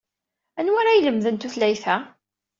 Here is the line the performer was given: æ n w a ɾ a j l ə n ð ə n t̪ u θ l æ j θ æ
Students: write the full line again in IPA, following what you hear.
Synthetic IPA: æ n w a ɾ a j l ə m ð ə n t̪ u θ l æ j θ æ